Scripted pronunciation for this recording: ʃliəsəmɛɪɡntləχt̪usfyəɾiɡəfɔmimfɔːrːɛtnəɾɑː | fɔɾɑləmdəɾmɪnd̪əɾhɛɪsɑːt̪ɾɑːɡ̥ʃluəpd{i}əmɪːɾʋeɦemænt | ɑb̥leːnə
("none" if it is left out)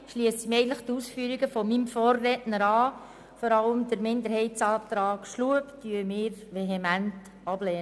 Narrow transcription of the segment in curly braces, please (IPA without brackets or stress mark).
y